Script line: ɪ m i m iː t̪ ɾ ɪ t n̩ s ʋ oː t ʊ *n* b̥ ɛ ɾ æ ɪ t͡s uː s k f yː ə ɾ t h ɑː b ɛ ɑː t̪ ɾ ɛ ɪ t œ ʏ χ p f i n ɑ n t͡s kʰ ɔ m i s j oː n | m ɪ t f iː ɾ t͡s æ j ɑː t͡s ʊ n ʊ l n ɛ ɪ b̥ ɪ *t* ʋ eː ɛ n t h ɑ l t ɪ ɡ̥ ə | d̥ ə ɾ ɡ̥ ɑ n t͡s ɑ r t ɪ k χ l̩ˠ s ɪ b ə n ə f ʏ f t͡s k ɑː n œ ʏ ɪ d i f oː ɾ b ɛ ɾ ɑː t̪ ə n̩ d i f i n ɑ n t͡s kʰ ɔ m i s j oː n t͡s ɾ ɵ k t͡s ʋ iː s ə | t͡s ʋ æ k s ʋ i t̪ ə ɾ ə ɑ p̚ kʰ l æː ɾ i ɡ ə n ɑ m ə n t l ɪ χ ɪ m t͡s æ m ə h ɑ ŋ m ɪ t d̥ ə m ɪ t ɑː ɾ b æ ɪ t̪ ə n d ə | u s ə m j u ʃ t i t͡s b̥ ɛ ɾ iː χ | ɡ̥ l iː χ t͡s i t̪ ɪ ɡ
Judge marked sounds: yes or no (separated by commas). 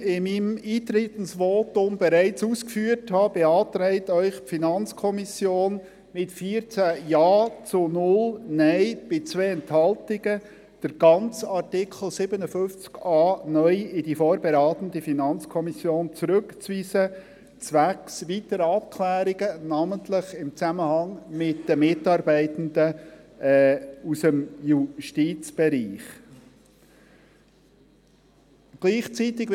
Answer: no, no